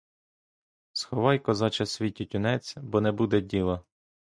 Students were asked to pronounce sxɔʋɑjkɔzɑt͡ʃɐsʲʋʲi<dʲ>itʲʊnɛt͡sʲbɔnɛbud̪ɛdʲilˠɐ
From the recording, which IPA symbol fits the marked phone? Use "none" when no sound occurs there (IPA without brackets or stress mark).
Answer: tʲ